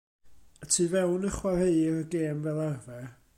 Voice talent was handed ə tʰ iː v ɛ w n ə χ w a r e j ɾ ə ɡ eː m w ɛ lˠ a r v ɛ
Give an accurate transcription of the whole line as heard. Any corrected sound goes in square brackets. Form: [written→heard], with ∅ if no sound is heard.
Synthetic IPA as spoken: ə tʰ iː v ɛ w n ə χ w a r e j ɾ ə ɡ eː m [w→v] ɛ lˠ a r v ɛ